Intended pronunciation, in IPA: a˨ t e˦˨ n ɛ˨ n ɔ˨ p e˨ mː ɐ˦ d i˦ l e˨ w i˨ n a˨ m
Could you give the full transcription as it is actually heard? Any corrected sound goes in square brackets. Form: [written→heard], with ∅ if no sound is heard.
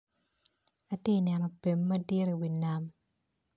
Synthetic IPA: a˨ t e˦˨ n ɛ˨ n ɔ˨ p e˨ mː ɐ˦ d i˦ [l→ɾ] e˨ w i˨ n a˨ m